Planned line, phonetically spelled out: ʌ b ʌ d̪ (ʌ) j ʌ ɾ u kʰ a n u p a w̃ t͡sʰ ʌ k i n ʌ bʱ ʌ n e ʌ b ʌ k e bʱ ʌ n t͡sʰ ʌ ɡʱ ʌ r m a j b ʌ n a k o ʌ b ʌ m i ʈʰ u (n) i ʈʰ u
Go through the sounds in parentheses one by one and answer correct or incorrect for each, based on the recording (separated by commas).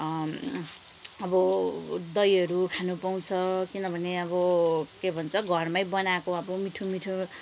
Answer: correct, incorrect